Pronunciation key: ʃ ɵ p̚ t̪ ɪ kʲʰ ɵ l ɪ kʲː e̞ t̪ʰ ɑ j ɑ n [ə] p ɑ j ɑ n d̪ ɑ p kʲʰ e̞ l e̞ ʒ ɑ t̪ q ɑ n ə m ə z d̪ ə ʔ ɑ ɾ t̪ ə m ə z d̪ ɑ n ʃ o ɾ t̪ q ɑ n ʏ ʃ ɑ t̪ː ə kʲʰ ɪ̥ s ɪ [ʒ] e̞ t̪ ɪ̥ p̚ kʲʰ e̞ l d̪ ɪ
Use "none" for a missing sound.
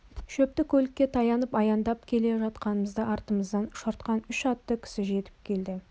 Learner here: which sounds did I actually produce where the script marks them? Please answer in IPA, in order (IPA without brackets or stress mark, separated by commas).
ə, ʒ